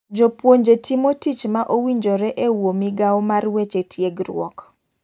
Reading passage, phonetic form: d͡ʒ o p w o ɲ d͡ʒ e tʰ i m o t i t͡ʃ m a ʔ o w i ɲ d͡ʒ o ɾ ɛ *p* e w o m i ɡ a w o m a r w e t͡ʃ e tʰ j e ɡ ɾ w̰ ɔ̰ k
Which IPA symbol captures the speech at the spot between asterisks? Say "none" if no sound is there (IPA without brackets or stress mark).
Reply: ʔ